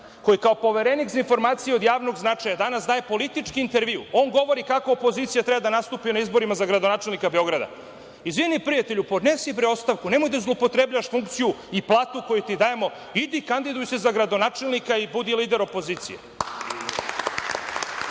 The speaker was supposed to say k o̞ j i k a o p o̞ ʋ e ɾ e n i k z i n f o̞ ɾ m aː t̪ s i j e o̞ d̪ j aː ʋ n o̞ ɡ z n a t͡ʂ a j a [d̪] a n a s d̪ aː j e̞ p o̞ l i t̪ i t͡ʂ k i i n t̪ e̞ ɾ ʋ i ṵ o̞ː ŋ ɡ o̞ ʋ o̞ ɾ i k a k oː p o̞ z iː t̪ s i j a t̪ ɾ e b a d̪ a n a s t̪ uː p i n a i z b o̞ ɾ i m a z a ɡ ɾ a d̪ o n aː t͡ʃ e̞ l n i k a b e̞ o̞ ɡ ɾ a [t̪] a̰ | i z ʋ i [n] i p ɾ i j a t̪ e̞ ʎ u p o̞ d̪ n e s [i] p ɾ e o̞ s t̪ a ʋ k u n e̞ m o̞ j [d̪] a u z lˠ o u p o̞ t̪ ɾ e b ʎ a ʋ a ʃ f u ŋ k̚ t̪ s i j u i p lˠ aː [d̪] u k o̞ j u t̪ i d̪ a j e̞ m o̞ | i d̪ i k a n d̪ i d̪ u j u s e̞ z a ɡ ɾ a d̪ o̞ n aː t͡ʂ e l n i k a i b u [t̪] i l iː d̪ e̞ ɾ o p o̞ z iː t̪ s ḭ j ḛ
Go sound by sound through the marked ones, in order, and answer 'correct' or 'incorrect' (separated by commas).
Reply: correct, incorrect, correct, correct, correct, incorrect, incorrect